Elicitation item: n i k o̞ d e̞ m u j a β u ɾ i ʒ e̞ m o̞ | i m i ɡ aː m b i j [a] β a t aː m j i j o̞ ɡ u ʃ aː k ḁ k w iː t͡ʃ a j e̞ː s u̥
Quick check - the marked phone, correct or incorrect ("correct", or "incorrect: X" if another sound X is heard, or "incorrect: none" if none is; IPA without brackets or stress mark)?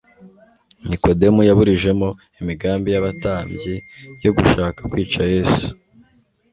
correct